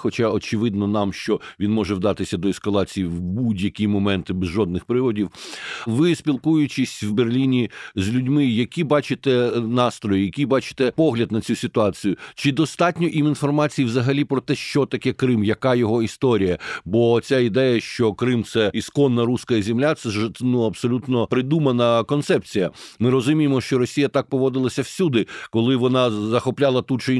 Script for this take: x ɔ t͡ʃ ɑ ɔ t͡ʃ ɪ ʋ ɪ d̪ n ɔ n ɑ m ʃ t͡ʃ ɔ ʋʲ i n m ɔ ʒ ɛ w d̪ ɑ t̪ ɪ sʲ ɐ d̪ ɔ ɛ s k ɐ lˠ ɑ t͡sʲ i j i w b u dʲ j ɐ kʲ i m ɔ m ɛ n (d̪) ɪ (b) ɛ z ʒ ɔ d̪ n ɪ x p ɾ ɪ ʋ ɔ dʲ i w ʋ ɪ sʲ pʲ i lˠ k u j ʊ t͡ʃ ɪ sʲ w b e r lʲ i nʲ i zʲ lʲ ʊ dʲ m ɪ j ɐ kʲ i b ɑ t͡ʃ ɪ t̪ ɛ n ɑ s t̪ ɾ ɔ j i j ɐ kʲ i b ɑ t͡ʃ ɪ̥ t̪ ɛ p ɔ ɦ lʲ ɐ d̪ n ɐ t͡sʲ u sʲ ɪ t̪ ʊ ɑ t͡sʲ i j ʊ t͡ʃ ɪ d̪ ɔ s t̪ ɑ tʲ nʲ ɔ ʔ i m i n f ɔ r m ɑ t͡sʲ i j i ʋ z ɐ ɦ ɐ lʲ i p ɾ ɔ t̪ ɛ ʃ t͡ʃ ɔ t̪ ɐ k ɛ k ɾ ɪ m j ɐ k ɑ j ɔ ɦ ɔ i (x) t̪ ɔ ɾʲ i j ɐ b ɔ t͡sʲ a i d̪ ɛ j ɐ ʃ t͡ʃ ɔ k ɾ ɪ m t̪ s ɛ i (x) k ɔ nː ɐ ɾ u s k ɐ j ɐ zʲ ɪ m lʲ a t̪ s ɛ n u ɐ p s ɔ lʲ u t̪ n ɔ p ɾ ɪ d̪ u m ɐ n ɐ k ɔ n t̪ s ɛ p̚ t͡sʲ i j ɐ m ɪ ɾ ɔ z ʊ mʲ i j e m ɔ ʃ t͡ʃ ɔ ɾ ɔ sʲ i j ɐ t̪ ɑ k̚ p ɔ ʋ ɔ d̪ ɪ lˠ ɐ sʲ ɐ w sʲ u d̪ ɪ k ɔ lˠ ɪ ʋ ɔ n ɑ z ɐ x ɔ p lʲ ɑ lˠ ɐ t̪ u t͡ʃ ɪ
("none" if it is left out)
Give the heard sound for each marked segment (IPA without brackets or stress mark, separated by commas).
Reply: t̪, b, s, s